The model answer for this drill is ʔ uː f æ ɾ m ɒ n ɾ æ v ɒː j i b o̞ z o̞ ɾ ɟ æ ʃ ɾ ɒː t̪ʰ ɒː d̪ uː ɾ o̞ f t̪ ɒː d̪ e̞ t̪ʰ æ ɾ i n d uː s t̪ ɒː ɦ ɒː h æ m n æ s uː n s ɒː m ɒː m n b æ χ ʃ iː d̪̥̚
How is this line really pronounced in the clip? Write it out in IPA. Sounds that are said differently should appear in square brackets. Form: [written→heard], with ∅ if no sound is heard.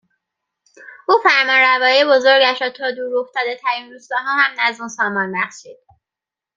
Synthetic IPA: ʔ uː f æ ɾ m ɒ n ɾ æ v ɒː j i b o̞ z o̞ ɾ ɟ æ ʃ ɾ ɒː t̪ʰ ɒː d̪ uː ɾ o̞ f t̪ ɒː d̪ e̞ t̪ʰ æ ɾ i n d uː s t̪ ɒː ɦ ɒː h æ m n æ [s→z] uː n s ɒː m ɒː [m→∅] n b æ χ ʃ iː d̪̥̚

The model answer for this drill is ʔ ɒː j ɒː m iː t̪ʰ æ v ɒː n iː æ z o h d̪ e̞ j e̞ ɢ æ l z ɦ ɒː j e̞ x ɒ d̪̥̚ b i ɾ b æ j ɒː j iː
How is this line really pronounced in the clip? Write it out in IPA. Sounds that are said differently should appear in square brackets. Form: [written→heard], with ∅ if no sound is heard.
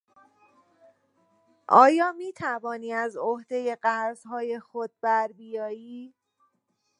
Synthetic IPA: ʔ ɒː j ɒː m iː t̪ʰ æ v ɒː n iː æ z o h d̪ e̞ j e̞ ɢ æ [l→ɾ] z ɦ ɒː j e̞ x [ɒ→o] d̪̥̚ b [i→æ] ɾ b [æ→i] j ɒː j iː

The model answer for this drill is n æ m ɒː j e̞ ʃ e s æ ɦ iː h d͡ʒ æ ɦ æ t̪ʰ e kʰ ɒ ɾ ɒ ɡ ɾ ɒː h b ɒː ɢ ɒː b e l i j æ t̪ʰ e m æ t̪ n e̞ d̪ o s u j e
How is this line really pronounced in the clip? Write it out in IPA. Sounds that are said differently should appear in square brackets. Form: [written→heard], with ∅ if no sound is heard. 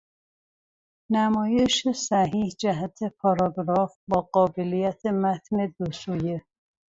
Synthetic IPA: n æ m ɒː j e̞ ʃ e s æ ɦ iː h d͡ʒ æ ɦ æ t̪ʰ e [kʰ→pʰ] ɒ ɾ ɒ ɡ ɾ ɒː [h→f] b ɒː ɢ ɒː b e l i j æ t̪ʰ e m æ t̪ n e̞ d̪ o s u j e

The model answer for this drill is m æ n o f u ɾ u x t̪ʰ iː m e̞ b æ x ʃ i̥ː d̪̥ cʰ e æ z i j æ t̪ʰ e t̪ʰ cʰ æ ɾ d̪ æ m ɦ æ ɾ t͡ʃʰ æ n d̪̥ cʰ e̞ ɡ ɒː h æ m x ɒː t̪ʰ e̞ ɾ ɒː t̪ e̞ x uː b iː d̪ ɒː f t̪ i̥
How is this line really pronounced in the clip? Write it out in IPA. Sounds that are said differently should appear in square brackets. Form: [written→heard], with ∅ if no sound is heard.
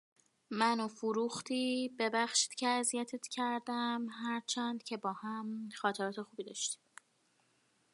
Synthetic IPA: m æ n o f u ɾ u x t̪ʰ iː [m→b] e̞ b æ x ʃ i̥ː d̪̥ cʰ e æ z i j æ t̪ʰ e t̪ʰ cʰ æ ɾ d̪ æ m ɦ æ ɾ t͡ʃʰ æ n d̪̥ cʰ e̞ [ɡ→b] ɒː h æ m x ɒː t̪ʰ e̞ ɾ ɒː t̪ e̞ x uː b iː d̪ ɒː [f→ʃ] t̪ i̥

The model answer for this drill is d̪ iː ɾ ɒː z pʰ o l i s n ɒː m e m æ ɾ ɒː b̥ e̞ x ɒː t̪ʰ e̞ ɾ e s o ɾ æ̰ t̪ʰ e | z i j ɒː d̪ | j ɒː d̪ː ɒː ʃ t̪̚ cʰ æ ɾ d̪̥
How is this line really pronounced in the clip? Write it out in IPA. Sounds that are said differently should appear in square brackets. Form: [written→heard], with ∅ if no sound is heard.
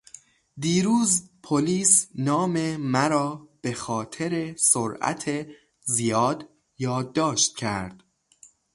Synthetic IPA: d̪ iː ɾ [ɒː→uː] z pʰ o l [i→iː] s n ɒː m e m æ ɾ ɒː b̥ e̞ x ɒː t̪ʰ e̞ ɾ e s o ɾ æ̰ t̪ʰ e | z i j ɒː d̪ | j ɒː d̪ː ɒː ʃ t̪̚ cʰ æ ɾ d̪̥

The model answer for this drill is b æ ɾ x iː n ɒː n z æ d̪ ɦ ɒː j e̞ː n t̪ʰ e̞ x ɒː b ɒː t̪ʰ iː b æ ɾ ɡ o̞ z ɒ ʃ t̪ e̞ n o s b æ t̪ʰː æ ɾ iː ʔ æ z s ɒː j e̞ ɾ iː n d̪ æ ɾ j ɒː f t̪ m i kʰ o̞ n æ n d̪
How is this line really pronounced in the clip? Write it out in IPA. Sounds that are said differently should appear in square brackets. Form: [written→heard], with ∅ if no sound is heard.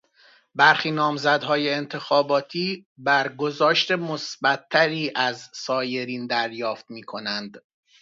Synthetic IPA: b æ ɾ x iː n ɒː [n→m] z æ d̪ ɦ ɒː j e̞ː n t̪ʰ e̞ x ɒː b ɒː t̪ʰ iː b æ ɾ ɡ o̞ z [ɒ→ɒː] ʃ t̪ e̞ [n→m] o s b æ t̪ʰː æ ɾ iː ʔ æ z s ɒː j e̞ ɾ iː n d̪ æ ɾ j ɒː f t̪ m [i→iː] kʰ o̞ n æ n d̪

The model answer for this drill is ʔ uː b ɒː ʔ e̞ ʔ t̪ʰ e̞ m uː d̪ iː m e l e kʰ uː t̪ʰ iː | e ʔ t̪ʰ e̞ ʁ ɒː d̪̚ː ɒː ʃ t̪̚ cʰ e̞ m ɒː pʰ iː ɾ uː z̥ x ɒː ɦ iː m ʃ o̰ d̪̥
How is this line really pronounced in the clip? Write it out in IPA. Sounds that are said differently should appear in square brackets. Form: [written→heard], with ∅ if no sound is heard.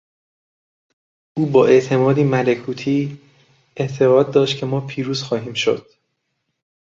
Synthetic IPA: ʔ uː b ɒː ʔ e̞ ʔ t̪ʰ e̞ m [uː→ɒː] d̪ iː m [e→æ] l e kʰ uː t̪ʰ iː | e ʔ t̪ʰ e̞ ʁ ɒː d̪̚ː ɒː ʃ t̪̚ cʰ e̞ m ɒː pʰ iː ɾ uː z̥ x ɒː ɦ iː m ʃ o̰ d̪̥

